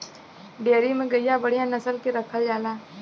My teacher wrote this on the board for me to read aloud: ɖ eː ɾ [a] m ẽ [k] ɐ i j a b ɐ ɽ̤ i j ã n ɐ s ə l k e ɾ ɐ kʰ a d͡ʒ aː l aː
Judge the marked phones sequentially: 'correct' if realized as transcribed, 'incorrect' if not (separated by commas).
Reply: incorrect, incorrect